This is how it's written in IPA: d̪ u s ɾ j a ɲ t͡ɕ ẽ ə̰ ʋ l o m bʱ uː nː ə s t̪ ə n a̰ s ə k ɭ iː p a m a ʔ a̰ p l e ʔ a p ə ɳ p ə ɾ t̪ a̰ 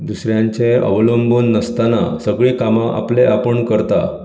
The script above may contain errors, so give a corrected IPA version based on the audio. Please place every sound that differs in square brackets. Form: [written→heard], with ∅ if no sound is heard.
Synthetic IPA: d̪ u s ɾ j a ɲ t͡ɕ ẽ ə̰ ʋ l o m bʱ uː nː ə s t̪ [ə→a] n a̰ s ə [k→ɡ] ɭ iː [p→k] a m a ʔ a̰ p l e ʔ a p ə ɳ [p→k] ə ɾ t̪ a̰

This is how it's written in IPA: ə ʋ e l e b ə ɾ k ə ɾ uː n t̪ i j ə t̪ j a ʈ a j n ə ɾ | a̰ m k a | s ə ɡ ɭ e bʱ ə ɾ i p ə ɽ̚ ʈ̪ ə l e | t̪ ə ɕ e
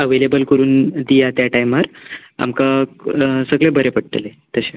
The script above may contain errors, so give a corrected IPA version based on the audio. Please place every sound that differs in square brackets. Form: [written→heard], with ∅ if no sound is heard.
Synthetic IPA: ə ʋ e l e b ə [ɾ→l] k ə ɾ uː n [t̪→d̪] i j [ə→a] t̪ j a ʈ a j [n→m] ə ɾ | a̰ m k a | s ə ɡ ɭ e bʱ ə ɾ [i→e] p ə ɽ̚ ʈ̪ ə l e | t̪ ə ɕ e

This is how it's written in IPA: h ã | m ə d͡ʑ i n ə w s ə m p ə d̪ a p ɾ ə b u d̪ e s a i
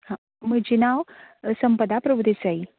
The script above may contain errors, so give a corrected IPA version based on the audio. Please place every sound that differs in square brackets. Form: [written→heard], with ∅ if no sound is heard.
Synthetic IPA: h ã | m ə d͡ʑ i n [ə→a] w s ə m p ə d̪ a p ɾ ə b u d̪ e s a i

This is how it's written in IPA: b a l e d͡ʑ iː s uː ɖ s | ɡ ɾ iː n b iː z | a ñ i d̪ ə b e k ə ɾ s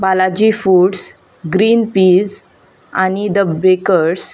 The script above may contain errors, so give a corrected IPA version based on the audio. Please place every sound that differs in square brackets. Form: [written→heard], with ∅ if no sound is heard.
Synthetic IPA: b a l [e→a] d͡ʑ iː [s→f] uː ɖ s | ɡ ɾ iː n [b→p] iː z | a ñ i d̪ ə b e k ə ɾ s

